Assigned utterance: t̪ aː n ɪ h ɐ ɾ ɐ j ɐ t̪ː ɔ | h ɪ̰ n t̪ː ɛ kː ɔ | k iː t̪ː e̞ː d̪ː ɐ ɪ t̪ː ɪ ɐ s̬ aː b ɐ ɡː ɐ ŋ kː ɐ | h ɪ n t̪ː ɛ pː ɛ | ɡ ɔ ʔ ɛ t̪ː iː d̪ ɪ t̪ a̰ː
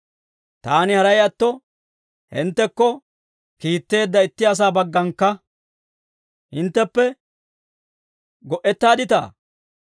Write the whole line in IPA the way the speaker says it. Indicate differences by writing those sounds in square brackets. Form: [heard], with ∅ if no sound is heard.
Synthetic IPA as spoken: t̪ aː n ɪ h ɐ ɾ ɐ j ɐ t̪ː ɔ | h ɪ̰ n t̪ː ɛ kː ɔ | k iː t̪ː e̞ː d̪ː ɐ ɪ t̪ː ɪ ɐ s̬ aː b ɐ ɡː ɐ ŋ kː ɐ | h ɪ n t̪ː ɛ pː ɛ | ɡ ɔ ʔ ɛ t̪ː [aː] d̪ ɪ t̪ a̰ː